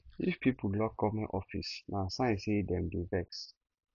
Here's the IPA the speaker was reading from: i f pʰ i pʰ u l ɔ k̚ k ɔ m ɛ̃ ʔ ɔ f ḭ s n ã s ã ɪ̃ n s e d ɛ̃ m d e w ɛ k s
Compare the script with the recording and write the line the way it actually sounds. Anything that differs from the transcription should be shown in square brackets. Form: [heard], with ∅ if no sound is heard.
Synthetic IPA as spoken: i f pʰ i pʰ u l ɔ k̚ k ɔ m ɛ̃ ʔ ɔ f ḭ s n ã s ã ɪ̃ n s e d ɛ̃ m d e [v] ɛ k s

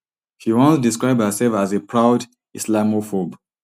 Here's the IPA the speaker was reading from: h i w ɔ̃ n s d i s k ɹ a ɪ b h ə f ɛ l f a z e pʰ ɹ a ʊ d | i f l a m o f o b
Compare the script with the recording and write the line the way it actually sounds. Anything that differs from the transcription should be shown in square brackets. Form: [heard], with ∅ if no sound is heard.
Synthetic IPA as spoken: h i w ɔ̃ n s d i s k ɹ a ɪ b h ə [s] ɛ l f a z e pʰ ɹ a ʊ d | i [s] l a m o f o b

